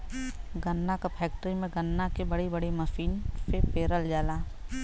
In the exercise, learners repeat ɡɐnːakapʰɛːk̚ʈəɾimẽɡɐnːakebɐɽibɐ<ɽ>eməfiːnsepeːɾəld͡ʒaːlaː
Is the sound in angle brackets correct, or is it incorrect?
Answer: correct